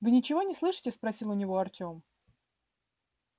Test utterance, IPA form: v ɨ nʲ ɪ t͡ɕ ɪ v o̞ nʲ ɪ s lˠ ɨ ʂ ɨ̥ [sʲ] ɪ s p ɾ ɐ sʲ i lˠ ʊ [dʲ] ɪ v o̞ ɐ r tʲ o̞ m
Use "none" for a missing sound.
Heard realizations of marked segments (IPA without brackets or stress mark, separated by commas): tʲ, nʲ